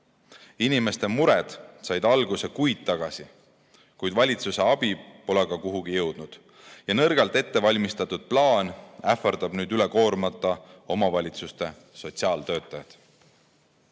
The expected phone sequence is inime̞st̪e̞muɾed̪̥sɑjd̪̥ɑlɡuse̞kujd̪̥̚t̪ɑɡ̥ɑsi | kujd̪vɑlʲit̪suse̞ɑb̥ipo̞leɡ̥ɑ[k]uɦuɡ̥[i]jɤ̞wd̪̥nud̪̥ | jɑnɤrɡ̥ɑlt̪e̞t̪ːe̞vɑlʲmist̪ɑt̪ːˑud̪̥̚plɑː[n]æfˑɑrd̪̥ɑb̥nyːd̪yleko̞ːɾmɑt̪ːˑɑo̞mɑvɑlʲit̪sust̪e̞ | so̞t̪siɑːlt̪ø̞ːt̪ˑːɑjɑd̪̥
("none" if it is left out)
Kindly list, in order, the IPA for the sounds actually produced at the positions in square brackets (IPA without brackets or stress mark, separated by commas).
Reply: k, i, n